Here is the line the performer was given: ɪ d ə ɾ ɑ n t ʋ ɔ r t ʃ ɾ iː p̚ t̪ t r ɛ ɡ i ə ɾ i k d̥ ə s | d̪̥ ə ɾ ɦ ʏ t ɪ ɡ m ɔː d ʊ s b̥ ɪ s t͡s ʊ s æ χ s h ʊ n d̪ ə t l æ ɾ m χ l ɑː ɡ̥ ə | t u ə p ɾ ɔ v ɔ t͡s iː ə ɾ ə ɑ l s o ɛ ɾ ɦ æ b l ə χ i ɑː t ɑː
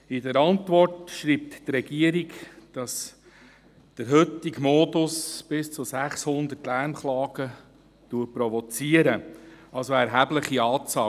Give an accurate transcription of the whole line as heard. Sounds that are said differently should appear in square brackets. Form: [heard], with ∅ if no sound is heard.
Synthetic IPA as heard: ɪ d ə ɾ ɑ n t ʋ ɔ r t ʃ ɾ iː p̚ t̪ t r ɛ ɡ i ə ɾ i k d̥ [ɑ] s | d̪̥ ə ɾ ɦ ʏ t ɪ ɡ m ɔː d ʊ s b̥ ɪ s t͡s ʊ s æ χ s h ʊ n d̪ ə t l æ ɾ m χ l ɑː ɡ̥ ə | t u ə p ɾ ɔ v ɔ t͡s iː ə ɾ ə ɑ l s o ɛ ɾ ɦ æ b l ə χ i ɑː [t͡s] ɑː